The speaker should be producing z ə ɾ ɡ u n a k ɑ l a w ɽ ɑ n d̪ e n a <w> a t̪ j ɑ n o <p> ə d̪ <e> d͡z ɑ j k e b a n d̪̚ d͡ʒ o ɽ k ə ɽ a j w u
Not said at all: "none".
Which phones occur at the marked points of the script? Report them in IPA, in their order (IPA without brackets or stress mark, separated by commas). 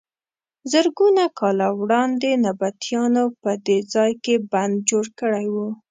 b, p, e